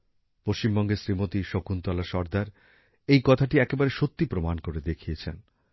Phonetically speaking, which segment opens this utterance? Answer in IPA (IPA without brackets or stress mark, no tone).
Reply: p